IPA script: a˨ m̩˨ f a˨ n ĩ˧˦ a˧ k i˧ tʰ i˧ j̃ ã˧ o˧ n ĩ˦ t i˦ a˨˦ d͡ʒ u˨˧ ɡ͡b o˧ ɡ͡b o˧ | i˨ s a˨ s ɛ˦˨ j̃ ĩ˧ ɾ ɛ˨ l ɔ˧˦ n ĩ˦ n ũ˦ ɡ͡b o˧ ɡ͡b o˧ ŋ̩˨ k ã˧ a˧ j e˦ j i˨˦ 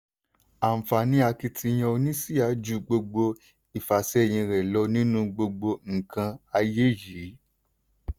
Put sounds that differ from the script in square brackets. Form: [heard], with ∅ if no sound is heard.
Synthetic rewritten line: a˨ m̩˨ f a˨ n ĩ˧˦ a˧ k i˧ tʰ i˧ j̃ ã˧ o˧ n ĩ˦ [s] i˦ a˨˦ d͡ʒ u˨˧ ɡ͡b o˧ ɡ͡b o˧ | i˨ [f] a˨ s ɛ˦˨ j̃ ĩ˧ ɾ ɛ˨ l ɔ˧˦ n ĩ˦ n ũ˦ ɡ͡b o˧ ɡ͡b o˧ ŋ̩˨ k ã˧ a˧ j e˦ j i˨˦